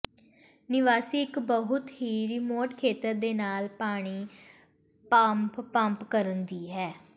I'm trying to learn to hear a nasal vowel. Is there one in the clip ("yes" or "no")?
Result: no